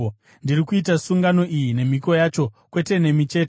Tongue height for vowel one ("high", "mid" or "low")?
high